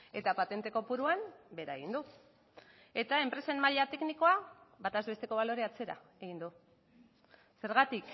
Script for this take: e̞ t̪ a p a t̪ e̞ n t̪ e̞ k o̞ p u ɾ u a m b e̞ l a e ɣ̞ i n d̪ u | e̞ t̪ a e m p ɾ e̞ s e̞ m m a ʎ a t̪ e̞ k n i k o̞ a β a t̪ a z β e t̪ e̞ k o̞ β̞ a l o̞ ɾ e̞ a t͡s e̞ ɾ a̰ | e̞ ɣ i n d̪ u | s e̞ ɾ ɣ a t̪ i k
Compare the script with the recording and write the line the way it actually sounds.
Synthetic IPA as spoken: e̞ t̪ a p a t̪ e̞ n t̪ e̞ k o̞ p u ɾ u a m b e̞ ɾ a e ɣ̞ i n d̪ u | e̞ t̪ a e m p ɾ e̞ s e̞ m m a ʎ a t̪ e̞ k n i k o̞ a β a t̪ a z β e t̪ e̞ k o̞ β̞ a l o̞ ɾ e̞ a t͡s e̞ ɾ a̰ | e̞ ɣ i n d̪ u | s e̞ ɾ ɣ a t̪ i k

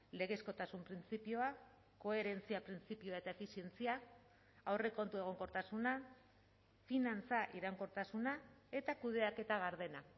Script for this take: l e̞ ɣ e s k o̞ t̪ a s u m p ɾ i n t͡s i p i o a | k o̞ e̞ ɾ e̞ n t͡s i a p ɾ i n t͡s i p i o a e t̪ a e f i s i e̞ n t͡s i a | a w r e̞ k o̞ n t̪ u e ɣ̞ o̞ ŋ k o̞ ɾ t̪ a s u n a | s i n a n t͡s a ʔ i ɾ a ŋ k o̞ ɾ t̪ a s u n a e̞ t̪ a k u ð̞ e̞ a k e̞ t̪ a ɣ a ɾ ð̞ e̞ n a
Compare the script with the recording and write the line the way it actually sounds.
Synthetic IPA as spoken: l e̞ ɣ e s k o̞ t̪ a s u m p ɾ i n t͡s i p i o a | k o̞ e̞ ɾ e̞ n t͡s i a p ɾ i n t͡s i p i o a e t̪ a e f i s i e̞ n t͡s i a | a w r e̞ k o̞ n t̪ u e ɣ̞ o̞ ŋ k o̞ ɾ t̪ a s u n a | f i n a n t͡s a ʔ i ɾ a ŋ k o̞ ɾ t̪ a s u n a e̞ t̪ a k u ð̞ e̞ a k e̞ t̪ a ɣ a ɾ ð̞ e̞ n a

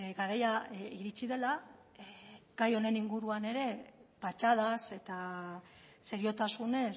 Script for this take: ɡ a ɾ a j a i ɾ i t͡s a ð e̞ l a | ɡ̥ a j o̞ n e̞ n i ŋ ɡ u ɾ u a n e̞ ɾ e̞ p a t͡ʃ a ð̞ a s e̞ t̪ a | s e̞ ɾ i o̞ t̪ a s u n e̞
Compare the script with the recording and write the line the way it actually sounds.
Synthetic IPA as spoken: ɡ a ɾ a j a i ɾ i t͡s i ð e̞ l a | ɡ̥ a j o̞ n e̞ n i ŋ ɡ u ɾ u a n e̞ ɾ e̞ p a t͡ʃ a ð̞ a s e̞ t̪ a | s e̞ ɾ i o̞ t̪ a s u n e̞

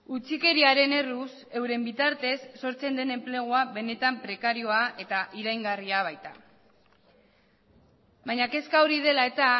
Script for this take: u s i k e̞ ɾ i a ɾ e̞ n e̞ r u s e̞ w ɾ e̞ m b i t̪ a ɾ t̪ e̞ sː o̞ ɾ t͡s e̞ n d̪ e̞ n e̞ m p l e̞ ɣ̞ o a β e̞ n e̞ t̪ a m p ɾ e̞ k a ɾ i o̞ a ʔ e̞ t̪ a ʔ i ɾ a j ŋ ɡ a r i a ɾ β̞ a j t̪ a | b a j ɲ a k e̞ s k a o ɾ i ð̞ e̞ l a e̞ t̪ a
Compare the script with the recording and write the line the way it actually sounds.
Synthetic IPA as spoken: u t͡s i k e̞ ɾ i a ɾ e̞ n e̞ r u s e̞ w ɾ e̞ m b i t̪ a ɾ t̪ e̞ sː o̞ ɾ t͡s e̞ n d̪ e̞ n e̞ m p l e̞ ɣ̞ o a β e̞ n e̞ t̪ a m p ɾ e̞ k a ɾ i o̞ a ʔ e̞ t̪ a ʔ i ɾ a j ŋ ɡ a r i a β̞ a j t̪ a | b a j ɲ a k e̞ s k a o ɾ i ð̞ e̞ l a e̞ t̪ a

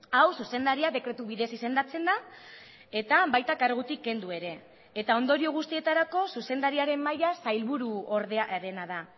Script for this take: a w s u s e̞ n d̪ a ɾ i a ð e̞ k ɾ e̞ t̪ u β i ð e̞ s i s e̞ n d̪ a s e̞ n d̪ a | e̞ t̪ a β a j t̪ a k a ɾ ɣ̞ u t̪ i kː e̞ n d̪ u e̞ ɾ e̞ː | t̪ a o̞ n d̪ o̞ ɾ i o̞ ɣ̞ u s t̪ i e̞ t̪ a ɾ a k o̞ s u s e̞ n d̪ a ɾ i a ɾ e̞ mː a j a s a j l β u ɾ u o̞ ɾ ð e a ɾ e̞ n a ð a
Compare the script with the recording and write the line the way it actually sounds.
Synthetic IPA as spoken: a w s u s e̞ n d̪ a ɾ i a ð e̞ k ɾ e̞ t̪ u β i ð e̞ s i s e̞ n d̪ a t͡s e̞ n d̪ a | e̞ t̪ a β a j t̪ a k a ɾ ɣ̞ u t̪ i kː e̞ n d̪ u e̞ ɾ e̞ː | t̪ a o̞ n d̪ o̞ ɾ i o̞ ɣ̞ u s t̪ i e̞ t̪ a ɾ a k o̞ s u s e̞ n d̪ a ɾ i a ɾ e̞ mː a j a s a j l β u ɾ u o̞ ɾ ð e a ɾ e̞ n a ð a

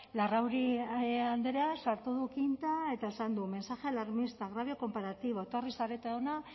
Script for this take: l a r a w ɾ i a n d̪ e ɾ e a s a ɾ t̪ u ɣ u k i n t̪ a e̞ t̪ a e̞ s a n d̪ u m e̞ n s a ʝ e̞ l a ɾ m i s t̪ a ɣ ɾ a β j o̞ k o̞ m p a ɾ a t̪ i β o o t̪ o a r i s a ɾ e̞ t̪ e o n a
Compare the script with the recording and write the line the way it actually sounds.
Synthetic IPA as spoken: l a r a w ɾ i a n d̪ e ɾ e a s a ɾ t̪ u ð u k i n t̪ a e̞ t̪ a e̞ s a n d̪ u m e̞ n s a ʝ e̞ l a ɾ m i s t̪ a ɣ ɾ a β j o̞ k o̞ m p a ɾ a t̪ i β o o t̪ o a r i s a ɾ e̞ t̪ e o n a

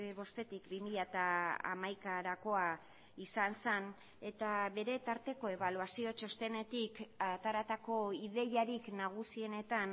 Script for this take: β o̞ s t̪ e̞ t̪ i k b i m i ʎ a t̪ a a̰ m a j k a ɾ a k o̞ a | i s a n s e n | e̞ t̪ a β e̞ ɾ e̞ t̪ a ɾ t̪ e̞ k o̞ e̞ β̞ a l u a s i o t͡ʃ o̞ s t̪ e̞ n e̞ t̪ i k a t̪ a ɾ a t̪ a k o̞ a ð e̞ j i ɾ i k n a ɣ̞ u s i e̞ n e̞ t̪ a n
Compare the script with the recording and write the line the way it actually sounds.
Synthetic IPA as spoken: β o̞ s t̪ e̞ t̪ i k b i m i ʎ a t̪ a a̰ m a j k a ɾ a k o̞ a | i s a n s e n | e̞ t̪ a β e̞ ɾ e̞ t̪ a ɾ t̪ e̞ k o̞ e̞ β̞ a l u a s i o t͡ʃ o̞ s t̪ e̞ n e̞ t̪ i k a t̪ a ɾ a t̪ a k o̞ i ð e̞ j a ɾ i k n a ɣ̞ u s i e̞ n e̞ t̪ a n

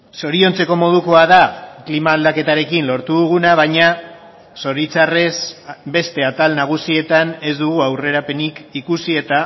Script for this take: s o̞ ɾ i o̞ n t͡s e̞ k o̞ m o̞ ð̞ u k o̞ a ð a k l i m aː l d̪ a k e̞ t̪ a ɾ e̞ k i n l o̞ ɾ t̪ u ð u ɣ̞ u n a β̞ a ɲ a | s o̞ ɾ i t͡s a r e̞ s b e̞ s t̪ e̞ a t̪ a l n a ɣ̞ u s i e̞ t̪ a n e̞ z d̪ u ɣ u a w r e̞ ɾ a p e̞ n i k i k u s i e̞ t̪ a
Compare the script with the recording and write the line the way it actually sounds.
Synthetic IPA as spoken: s o̞ ɾ i o̞ n t͡s e̞ k o̞ m o̞ ð̞ u k o̞ a ð a k l i m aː l d̪ a k e̞ t̪ a ɾ e̞ k i n l o̞ ɾ t̪ u ð u ɣ̞ u n a β̞ a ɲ a | s o̞ ɾ i t͡s a r e̞ s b e̞ s t̪ e̞ a t̪ a l n a ɣ̞ u s i e̞ t̪ a n e̞ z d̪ u ɣ u a w r e̞ ɾ a p e̞ n i k i k u s i e̞ t̪ a

